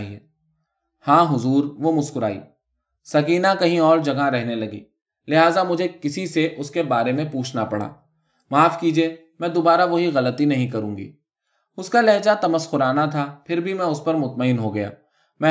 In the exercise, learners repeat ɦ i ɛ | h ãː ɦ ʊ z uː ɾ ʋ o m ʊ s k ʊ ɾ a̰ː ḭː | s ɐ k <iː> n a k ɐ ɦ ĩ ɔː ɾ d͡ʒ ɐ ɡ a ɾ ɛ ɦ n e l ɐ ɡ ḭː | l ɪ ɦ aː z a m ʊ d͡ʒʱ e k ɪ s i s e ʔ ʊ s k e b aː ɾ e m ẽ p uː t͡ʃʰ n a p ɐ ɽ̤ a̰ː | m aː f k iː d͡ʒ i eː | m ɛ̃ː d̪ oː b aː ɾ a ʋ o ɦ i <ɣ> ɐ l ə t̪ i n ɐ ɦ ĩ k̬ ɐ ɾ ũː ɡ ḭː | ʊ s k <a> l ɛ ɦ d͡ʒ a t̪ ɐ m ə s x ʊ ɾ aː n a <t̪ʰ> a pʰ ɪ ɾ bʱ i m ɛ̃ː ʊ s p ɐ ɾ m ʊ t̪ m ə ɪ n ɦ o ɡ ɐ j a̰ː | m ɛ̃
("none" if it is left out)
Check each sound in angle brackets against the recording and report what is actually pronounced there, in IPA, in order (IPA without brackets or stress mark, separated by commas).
iː, ɣ, a, t̪ʰ